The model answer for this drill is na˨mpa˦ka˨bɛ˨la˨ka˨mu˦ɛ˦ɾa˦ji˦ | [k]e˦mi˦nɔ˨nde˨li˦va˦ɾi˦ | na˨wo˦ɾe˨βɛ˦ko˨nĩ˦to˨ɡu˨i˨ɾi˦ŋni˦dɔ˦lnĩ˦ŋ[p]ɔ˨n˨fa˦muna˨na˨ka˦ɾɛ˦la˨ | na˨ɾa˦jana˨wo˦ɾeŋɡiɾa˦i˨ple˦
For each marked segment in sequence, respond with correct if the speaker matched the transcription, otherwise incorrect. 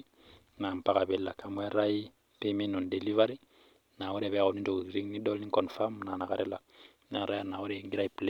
incorrect, incorrect

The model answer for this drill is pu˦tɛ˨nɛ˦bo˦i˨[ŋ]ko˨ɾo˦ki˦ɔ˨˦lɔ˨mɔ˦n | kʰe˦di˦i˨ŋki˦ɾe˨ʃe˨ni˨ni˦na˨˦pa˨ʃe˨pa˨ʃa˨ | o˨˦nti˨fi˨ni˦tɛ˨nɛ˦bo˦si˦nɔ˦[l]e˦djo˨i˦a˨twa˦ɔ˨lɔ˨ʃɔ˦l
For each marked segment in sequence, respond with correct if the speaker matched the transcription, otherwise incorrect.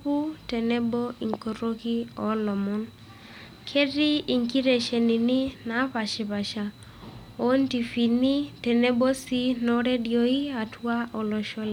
correct, incorrect

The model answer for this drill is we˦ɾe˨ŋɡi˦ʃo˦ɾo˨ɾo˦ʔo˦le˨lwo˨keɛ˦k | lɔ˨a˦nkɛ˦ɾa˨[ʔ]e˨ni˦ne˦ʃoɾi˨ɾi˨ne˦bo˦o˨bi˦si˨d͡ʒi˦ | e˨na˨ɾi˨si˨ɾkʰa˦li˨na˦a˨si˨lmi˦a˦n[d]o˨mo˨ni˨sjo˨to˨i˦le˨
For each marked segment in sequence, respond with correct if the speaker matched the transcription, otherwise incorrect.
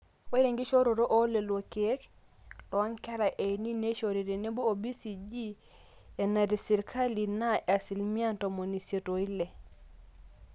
correct, incorrect

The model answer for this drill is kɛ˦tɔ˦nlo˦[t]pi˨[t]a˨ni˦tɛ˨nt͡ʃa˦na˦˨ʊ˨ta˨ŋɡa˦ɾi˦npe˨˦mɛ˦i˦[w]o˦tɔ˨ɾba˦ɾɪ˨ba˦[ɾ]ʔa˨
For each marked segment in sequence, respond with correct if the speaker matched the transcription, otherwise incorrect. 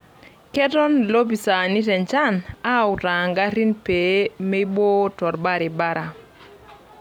incorrect, incorrect, incorrect, correct

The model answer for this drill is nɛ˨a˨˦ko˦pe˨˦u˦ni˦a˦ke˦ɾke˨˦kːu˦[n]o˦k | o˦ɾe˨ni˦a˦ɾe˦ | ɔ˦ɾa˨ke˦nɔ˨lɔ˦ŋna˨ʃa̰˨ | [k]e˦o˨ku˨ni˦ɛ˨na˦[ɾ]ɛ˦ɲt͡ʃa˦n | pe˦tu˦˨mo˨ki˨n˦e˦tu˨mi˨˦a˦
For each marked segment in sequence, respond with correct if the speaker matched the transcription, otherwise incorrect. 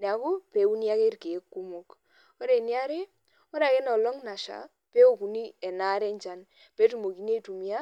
incorrect, incorrect, correct

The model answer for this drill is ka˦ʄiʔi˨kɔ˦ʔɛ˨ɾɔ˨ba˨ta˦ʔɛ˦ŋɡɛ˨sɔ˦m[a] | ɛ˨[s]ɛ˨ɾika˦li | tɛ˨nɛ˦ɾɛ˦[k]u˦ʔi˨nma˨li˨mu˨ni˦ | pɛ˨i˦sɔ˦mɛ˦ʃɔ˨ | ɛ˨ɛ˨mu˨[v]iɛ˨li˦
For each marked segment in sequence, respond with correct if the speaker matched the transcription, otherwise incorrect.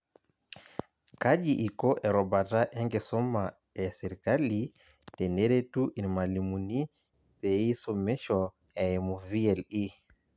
correct, correct, incorrect, correct

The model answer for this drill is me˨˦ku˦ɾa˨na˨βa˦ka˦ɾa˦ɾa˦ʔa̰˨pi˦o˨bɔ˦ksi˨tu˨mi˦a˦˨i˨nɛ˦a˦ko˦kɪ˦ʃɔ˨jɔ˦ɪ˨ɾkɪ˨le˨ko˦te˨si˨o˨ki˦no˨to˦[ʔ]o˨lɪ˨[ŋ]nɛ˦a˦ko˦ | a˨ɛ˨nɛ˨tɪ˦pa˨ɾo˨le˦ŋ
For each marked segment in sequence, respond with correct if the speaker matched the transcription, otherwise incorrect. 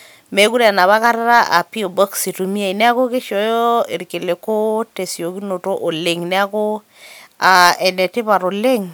correct, correct

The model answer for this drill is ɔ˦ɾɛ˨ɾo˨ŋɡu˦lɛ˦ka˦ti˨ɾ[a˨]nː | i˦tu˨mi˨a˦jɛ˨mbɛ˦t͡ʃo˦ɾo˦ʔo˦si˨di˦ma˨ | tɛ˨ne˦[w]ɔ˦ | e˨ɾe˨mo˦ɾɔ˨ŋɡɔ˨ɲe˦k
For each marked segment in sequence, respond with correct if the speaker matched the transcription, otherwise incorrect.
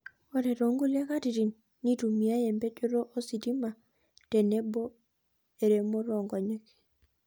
incorrect, incorrect

